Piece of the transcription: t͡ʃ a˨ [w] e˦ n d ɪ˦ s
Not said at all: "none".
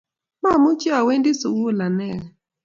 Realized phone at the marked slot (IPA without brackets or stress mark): w